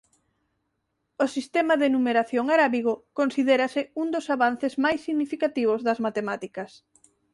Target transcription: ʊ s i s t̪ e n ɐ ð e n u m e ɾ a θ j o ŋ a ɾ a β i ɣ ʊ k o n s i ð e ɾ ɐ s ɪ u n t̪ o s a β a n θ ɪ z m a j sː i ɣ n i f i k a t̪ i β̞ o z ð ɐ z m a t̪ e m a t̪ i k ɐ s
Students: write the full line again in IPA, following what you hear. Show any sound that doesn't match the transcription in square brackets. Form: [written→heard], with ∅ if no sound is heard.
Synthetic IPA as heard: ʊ s i s t̪ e [n→m] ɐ ð e n u m e ɾ a θ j o ŋ a ɾ a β i ɣ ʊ k o n s i ð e ɾ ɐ s ɪ u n [t̪→d̪] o s a β a n θ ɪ z m a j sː i ɣ n i f i k a t̪ i β̞ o z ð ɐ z m a t̪ e m a t̪ i k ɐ s